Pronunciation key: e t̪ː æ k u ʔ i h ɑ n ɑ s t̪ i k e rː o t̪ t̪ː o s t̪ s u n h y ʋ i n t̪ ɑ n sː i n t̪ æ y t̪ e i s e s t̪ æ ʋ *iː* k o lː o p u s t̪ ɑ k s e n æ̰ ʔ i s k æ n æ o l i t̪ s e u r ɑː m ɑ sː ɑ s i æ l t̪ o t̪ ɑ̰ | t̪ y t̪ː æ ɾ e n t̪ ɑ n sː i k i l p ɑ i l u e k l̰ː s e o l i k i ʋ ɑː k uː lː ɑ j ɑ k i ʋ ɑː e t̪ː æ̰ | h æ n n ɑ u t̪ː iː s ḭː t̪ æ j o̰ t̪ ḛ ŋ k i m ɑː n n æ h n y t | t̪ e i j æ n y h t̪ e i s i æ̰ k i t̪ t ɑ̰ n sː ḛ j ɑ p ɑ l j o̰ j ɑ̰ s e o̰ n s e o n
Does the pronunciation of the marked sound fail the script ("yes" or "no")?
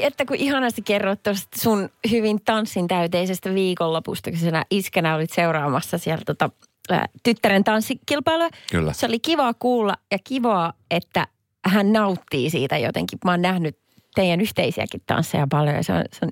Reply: no